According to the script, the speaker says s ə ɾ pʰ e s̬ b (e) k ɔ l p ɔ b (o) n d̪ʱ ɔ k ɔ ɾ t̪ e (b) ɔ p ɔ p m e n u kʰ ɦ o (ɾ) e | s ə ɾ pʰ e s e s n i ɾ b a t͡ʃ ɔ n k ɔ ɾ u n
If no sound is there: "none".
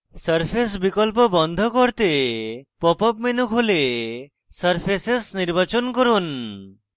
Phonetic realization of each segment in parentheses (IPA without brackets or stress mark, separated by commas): i, ɔ, p, l